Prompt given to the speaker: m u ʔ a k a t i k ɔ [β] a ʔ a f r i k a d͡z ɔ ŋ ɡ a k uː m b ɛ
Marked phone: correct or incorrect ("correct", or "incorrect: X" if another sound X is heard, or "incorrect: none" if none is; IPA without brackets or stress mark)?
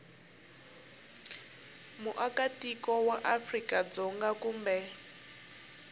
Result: incorrect: w